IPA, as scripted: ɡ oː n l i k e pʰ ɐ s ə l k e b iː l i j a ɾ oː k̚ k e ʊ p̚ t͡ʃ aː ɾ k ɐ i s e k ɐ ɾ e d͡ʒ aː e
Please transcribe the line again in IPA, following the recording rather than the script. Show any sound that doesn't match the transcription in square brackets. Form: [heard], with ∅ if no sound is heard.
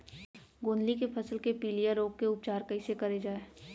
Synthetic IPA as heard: ɡ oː n l i k e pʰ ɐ s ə l k e [p] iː l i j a ɾ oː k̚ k e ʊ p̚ t͡ʃ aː ɾ k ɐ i s e k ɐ ɾ e d͡ʒ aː e